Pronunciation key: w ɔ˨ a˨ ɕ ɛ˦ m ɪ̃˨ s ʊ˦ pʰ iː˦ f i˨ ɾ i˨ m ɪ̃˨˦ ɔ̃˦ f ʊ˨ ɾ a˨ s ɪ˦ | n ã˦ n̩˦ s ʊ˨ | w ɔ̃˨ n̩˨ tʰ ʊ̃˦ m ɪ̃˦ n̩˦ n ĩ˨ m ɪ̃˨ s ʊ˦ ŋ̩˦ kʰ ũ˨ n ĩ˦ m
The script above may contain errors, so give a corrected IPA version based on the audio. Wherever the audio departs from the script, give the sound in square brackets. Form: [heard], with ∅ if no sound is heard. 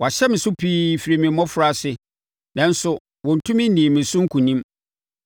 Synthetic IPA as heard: w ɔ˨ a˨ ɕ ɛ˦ m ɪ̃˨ s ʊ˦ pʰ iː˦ f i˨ ɾ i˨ m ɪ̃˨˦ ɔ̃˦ f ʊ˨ ɾ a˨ s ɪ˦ | n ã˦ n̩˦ s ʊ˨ | w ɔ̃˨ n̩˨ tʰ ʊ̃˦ m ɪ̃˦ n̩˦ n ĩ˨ m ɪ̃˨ s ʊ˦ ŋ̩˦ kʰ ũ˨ n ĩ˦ m